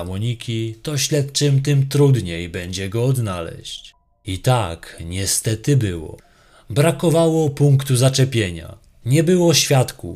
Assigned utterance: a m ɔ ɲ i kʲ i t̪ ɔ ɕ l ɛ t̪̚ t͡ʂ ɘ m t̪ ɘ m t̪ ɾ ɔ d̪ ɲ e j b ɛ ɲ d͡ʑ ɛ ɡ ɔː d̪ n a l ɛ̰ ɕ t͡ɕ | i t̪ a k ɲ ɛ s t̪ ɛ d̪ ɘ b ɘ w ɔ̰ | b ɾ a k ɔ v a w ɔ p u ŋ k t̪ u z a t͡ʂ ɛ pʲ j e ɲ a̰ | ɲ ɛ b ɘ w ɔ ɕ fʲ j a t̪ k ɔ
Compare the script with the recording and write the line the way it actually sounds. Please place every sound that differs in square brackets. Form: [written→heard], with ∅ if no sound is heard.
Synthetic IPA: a m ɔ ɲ i kʲ i t̪ ɔ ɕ l ɛ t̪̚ t͡ʂ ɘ m t̪ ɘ m t̪ ɾ [ɔ→u] d̪ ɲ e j b ɛ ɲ d͡ʑ ɛ ɡ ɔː d̪ n a l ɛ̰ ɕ t͡ɕ | i t̪ a k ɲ ɛ s t̪ ɛ [d̪→t̪] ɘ b ɘ w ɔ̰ | b ɾ a k ɔ v a w ɔ p u ŋ k t̪ u z a t͡ʂ ɛ pʲ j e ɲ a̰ | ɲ ɛ b ɘ w ɔ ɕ fʲ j a t̪ k [ɔ→u]